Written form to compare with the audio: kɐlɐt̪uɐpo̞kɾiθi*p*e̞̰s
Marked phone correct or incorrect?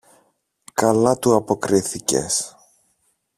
incorrect